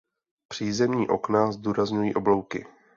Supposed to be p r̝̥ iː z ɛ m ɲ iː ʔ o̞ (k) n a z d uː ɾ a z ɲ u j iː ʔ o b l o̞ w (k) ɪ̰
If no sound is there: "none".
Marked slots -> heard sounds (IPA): k, k

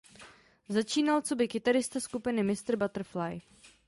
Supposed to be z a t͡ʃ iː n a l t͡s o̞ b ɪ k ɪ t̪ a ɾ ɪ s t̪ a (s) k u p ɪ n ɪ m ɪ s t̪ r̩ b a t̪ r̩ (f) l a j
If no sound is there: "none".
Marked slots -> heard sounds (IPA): s, f

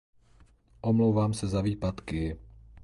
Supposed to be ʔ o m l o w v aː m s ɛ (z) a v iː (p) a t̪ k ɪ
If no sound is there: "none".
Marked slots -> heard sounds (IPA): z, p

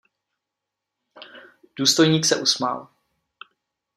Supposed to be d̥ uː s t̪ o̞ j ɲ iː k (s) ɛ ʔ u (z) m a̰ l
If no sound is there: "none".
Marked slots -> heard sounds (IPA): s, s

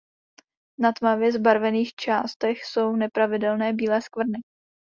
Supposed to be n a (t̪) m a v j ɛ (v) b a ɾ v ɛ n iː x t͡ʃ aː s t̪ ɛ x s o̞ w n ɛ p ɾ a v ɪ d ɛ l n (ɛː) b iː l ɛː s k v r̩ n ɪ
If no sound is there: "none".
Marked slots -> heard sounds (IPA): t̪, z, ɛː

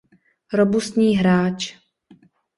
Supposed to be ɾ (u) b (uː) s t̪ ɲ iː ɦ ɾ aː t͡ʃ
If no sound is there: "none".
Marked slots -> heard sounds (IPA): o, u

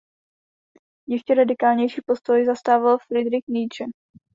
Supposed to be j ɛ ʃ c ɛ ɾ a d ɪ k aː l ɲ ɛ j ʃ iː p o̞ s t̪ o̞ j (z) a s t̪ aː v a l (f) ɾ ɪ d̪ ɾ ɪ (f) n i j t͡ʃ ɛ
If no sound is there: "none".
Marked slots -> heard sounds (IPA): z, f, x

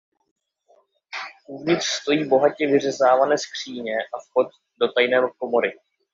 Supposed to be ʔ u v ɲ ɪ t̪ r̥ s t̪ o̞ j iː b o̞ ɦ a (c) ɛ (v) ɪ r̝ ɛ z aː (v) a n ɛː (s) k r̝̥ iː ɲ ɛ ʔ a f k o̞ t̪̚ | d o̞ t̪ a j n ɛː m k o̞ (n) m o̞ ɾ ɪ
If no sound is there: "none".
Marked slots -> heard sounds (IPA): c, v, v, s, none

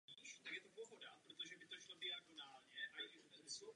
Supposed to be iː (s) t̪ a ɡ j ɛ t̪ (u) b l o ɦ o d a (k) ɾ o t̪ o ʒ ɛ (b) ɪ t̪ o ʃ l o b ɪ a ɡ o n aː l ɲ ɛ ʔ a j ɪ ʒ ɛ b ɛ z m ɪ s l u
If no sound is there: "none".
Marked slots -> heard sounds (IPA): ʃ, o, p, b

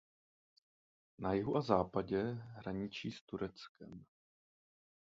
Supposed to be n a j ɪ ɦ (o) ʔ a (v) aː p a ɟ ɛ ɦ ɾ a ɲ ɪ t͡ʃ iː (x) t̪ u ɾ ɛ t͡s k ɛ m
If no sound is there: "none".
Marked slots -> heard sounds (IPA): u, z, s

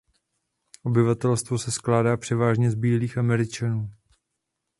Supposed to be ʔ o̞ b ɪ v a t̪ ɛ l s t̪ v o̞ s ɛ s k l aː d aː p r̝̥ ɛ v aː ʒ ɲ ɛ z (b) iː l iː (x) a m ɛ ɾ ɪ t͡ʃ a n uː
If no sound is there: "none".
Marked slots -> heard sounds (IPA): b, x

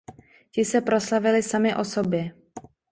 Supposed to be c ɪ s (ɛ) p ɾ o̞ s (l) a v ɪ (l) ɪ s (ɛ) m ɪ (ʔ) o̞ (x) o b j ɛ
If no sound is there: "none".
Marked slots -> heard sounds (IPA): ɛ, l, l, a, ʔ, s

